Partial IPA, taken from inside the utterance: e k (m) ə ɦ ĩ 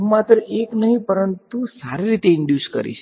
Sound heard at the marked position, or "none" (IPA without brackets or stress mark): n